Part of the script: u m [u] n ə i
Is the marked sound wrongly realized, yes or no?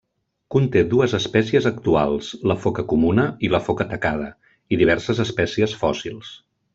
no